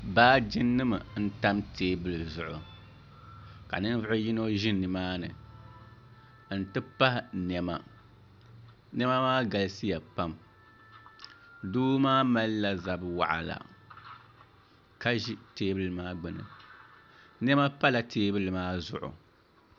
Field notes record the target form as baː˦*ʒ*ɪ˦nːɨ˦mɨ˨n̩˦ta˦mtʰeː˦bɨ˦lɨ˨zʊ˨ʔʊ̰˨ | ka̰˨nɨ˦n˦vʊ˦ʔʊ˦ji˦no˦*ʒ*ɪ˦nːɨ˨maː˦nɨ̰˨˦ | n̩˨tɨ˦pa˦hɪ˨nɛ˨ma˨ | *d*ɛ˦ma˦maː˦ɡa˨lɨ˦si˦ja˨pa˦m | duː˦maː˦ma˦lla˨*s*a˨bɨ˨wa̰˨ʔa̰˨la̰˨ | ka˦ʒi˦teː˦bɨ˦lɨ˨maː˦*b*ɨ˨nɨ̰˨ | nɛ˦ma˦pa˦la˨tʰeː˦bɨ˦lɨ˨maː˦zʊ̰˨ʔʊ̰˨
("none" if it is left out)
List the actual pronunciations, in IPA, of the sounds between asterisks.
d͡ʒ, ʒ, n, z, ɡ͡b

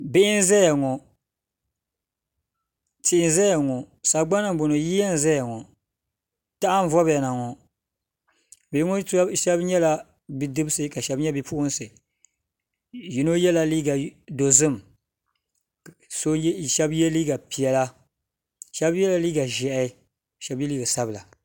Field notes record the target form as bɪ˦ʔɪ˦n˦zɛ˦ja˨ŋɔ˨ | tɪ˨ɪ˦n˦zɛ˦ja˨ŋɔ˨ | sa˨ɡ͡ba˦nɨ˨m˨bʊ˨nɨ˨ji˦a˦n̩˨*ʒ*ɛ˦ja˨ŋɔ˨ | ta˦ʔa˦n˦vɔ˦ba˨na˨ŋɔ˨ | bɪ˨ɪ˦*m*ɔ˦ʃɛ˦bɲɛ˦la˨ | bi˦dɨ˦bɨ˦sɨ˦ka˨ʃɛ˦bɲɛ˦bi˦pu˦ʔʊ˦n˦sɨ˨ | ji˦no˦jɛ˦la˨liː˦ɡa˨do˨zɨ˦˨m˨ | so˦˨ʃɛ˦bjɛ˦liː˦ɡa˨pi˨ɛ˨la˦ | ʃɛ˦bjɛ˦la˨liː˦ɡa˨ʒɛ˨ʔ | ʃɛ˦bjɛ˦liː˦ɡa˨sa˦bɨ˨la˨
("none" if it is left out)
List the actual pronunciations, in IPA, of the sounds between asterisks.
z, ŋ

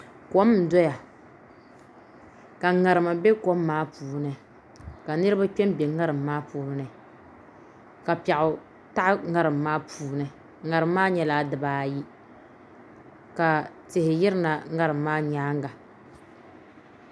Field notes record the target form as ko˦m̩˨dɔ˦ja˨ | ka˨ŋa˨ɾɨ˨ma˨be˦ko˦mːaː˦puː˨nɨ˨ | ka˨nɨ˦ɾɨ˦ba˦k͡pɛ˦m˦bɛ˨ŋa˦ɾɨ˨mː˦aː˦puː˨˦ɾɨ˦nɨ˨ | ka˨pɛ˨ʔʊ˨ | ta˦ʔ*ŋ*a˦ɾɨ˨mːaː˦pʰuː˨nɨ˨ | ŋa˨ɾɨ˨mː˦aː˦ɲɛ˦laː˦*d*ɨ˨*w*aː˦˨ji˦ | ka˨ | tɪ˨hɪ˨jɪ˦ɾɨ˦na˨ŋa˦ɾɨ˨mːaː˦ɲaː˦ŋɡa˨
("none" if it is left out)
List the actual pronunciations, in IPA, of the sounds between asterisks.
ŋ, d, b

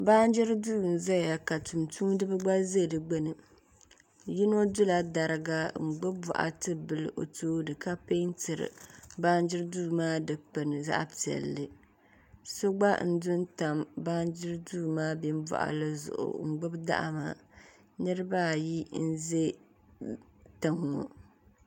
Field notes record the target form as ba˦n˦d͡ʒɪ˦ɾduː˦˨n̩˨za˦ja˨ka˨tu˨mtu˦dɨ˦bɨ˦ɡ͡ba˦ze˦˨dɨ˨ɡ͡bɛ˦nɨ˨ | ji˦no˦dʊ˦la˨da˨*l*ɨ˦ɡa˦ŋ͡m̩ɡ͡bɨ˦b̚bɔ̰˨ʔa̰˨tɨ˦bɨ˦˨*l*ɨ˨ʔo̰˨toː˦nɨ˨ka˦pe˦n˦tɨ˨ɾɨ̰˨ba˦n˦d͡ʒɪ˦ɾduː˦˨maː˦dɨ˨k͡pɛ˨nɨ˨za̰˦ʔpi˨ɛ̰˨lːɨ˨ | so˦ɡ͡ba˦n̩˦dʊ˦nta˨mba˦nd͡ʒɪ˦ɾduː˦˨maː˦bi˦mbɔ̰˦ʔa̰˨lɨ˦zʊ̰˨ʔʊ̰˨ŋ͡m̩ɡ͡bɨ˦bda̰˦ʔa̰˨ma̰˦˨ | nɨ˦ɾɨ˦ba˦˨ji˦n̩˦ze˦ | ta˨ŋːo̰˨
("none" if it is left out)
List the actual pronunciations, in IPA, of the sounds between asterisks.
ɾ, l

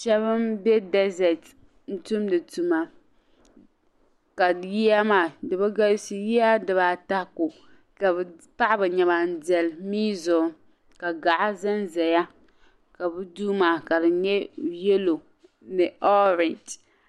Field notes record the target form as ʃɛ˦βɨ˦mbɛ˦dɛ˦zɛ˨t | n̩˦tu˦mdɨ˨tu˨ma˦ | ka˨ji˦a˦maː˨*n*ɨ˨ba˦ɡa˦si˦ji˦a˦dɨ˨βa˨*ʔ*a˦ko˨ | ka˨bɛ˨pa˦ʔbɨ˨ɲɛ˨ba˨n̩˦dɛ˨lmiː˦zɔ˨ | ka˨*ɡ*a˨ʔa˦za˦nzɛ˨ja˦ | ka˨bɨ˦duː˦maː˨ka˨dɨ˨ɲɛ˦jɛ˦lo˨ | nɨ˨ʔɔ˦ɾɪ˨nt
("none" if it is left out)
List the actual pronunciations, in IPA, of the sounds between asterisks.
d, t, ɡ

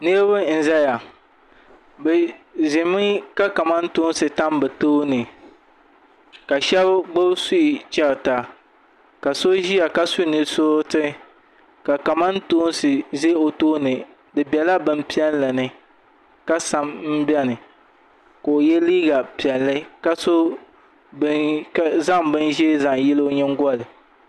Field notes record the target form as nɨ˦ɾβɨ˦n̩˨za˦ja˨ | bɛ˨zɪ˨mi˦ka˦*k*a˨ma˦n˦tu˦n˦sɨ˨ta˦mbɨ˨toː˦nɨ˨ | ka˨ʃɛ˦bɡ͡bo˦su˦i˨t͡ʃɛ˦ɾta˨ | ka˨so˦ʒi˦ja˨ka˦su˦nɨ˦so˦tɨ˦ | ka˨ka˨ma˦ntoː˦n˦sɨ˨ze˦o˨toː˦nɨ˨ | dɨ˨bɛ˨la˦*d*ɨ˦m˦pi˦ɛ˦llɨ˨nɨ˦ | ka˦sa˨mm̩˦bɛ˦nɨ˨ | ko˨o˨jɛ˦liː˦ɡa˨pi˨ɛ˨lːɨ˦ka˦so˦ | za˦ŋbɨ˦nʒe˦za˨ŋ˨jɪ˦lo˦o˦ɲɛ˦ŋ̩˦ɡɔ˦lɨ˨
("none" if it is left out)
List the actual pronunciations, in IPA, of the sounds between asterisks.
k, b

